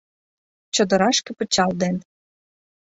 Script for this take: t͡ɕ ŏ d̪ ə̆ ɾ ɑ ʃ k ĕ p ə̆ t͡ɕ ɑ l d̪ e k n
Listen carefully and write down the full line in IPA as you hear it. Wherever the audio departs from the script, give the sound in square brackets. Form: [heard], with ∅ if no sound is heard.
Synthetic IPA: t͡ɕ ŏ d̪ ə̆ ɾ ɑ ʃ k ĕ p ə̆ t͡ɕ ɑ l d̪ e [∅] n